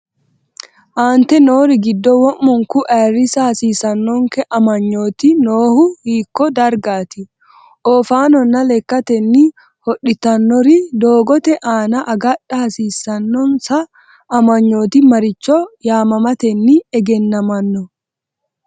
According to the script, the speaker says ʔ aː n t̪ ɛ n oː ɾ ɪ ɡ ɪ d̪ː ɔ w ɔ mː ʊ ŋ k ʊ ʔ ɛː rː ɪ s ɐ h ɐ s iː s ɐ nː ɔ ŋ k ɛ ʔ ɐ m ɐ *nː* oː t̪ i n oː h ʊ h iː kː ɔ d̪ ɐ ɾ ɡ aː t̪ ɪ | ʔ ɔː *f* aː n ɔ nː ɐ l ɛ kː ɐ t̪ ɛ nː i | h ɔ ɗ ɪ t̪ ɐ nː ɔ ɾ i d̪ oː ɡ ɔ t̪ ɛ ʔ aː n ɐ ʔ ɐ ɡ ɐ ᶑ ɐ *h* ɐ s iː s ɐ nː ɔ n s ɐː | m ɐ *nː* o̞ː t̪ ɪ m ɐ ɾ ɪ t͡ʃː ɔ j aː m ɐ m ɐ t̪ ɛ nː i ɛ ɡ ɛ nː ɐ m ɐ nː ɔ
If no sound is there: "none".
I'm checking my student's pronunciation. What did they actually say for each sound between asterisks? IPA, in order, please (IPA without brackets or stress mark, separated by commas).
ɲː, f, h, ɲː